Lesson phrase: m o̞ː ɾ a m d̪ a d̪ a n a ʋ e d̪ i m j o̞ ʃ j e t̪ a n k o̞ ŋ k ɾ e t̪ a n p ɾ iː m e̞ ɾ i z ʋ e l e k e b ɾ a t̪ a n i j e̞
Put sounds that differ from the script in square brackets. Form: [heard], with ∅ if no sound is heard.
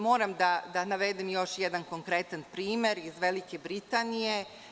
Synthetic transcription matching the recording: m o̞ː ɾ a m d̪ a d̪ a n a ʋ e d̪ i m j o̞ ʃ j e [d̪] a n k o̞ ŋ k ɾ e t̪ a n p ɾ iː m e̞ ɾ i z ʋ e l [i] k e b ɾ [i] t̪ a n i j e̞